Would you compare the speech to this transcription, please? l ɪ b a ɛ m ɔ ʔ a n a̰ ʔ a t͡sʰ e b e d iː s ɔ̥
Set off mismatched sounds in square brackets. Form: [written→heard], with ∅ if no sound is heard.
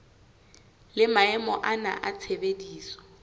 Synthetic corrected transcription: l ɪ [b→m] a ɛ m ɔ ʔ a n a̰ ʔ a t͡sʰ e b e d iː s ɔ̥